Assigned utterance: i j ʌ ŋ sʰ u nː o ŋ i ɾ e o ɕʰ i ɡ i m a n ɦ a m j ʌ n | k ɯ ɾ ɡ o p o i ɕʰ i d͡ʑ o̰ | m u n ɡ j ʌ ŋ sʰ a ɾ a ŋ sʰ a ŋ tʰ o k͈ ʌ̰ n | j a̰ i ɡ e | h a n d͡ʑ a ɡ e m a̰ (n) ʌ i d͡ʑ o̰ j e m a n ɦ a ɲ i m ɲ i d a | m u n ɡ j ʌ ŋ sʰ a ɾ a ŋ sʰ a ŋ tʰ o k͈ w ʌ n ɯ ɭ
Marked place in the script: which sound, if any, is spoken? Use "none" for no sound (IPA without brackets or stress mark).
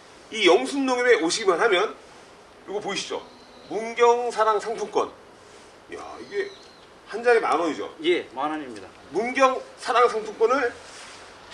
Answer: n